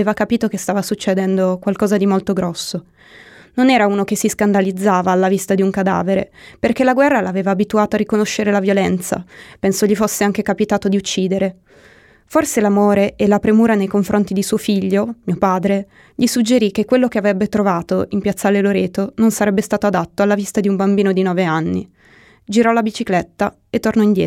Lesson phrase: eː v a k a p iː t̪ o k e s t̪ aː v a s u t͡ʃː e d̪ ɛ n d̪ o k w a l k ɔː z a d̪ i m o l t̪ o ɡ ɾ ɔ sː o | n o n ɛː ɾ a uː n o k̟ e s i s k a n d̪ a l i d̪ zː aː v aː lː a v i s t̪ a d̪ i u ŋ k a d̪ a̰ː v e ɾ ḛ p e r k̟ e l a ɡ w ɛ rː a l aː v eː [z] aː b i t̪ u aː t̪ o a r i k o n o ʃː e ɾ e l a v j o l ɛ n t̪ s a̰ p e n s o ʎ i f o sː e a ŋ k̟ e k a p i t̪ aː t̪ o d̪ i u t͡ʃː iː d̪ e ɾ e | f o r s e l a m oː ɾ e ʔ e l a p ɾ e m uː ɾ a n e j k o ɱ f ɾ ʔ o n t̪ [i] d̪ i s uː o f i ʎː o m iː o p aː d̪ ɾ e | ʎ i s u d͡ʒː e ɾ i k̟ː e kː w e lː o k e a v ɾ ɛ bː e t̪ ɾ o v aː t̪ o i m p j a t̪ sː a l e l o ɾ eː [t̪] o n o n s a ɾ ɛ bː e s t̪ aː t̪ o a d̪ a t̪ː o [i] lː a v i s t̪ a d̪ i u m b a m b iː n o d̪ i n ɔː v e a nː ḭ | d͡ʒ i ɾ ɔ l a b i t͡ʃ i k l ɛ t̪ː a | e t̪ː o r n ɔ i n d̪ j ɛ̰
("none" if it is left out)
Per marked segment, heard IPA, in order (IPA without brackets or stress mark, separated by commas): v, i, t̪, a